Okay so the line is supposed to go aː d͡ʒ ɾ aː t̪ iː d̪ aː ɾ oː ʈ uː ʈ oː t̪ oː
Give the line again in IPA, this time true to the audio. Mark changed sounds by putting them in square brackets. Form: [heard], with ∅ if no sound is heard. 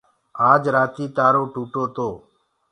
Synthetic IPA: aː d͡ʒ ɾ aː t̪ iː [t̪] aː ɾ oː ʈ uː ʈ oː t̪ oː